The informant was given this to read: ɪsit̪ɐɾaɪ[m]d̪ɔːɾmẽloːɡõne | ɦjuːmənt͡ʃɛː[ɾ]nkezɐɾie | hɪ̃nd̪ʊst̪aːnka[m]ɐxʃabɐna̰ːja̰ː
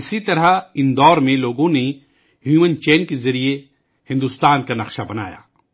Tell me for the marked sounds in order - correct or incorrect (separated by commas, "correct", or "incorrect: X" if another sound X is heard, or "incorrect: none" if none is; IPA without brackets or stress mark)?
incorrect: n, incorrect: none, incorrect: n